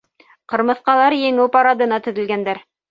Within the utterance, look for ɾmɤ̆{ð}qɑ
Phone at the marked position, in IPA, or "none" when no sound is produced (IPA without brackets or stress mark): θ